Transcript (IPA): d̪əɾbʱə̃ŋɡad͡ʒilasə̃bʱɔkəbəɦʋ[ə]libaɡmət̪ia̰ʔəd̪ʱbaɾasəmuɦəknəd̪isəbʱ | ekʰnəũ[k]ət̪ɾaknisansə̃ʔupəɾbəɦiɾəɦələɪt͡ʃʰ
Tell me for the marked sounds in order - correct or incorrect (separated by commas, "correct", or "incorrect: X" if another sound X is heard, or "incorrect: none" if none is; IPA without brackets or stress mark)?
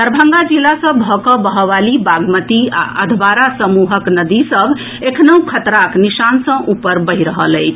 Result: incorrect: a, incorrect: kʰ